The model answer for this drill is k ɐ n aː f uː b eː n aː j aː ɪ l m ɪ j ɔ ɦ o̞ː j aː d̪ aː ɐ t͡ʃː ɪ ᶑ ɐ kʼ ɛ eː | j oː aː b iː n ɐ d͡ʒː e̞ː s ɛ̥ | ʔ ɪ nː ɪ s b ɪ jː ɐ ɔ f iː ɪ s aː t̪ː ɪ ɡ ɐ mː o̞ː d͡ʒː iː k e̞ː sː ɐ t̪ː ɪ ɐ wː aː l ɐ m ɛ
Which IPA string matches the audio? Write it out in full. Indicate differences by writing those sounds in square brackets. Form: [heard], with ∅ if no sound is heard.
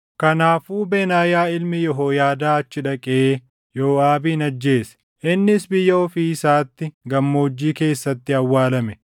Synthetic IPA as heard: k ɐ n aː f uː b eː n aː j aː ɪ l m ɪ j ɔ ɦ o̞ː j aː d̪ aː ɐ t͡ʃː ɪ ᶑ ɐ kʼ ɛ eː | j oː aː b iː n ɐ d͡ʒː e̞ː s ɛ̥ | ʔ ɪ nː ɪ s b ɪ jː ɐ ɔ f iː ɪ s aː t̪ː ɪ ɡ ɐ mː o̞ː d͡ʒː iː k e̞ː sː ɐ t̪ː ɪ ɐ wː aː l ɐ m ɛ